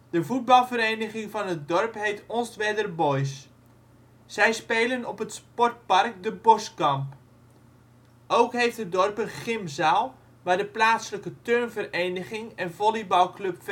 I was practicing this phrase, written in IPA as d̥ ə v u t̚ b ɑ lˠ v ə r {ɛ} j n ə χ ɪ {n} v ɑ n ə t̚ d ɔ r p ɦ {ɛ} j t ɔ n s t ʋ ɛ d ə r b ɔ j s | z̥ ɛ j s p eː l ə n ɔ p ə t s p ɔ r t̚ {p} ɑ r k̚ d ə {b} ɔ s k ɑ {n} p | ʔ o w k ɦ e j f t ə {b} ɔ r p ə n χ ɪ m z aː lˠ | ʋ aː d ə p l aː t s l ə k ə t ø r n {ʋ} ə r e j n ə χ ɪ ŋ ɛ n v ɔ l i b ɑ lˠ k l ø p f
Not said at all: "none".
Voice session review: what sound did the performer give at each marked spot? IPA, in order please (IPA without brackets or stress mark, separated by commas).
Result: e, ŋ, e, p, b, m, d, v